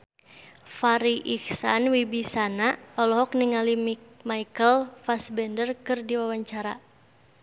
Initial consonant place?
labial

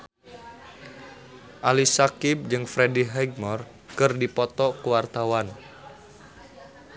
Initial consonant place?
glottal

